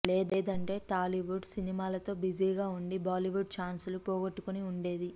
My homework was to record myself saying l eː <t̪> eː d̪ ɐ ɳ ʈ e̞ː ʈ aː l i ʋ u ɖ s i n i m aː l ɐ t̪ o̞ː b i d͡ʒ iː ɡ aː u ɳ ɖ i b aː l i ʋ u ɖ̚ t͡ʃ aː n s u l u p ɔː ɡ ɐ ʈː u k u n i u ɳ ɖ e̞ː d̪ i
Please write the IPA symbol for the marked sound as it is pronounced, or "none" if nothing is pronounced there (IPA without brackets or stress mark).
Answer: d̪